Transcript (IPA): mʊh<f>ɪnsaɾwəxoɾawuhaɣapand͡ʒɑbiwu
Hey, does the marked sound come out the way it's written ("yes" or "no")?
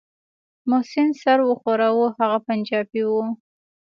no